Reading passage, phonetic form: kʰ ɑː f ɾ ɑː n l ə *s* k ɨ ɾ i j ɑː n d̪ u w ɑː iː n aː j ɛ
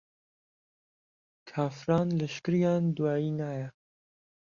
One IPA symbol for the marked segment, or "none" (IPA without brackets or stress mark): ʃ